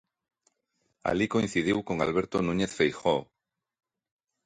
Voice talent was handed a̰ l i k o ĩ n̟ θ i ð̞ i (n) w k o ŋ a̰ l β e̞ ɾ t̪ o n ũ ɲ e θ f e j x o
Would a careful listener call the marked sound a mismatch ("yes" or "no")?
yes